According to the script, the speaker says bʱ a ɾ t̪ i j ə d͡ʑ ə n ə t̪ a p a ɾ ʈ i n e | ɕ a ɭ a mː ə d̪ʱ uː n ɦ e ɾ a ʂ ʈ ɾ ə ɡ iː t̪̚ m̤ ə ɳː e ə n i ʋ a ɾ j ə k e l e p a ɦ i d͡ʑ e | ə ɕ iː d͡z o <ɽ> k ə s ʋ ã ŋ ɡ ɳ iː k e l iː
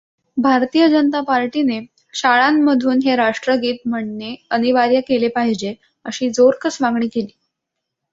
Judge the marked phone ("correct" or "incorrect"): incorrect